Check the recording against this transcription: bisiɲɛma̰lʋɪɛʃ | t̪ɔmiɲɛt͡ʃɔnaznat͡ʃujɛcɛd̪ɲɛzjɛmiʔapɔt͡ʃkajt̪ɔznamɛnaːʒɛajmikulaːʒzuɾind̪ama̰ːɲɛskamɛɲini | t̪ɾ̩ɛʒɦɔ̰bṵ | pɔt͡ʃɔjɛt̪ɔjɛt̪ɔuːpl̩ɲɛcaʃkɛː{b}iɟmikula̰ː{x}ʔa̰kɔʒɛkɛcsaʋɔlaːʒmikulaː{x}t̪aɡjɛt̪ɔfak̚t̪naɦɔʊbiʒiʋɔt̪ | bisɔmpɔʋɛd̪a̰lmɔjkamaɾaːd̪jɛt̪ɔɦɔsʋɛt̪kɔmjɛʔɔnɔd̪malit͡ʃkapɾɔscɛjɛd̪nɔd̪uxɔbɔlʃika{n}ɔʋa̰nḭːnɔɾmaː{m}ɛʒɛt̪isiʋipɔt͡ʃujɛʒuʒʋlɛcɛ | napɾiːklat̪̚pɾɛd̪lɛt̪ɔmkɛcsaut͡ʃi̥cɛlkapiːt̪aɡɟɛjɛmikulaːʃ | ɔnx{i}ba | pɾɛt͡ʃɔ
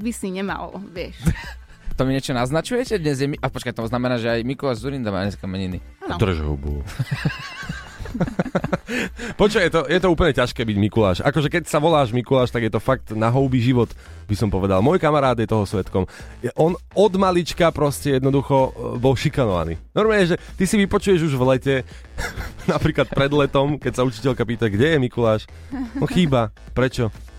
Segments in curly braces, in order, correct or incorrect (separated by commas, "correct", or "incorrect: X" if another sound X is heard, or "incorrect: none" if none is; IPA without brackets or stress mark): correct, incorrect: ʃ, incorrect: ʃ, correct, incorrect: ɲ, incorrect: iː